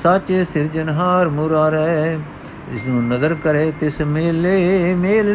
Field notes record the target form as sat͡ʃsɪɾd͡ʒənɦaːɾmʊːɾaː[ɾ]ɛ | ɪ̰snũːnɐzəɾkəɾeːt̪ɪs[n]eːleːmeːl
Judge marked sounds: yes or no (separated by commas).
yes, no